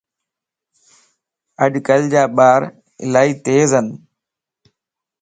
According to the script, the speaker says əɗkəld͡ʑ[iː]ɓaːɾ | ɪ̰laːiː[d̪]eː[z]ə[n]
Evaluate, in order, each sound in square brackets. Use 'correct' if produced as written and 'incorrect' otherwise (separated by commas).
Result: incorrect, incorrect, correct, correct